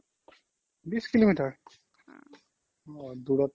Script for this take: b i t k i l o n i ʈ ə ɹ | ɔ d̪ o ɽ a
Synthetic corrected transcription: b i s k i l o m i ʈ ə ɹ | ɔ d̪ u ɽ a